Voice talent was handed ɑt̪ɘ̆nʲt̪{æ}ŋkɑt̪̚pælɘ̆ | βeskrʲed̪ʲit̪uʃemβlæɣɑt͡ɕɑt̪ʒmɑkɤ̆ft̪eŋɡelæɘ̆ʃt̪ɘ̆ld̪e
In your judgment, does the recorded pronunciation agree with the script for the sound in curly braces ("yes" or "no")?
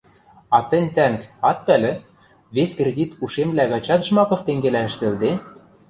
yes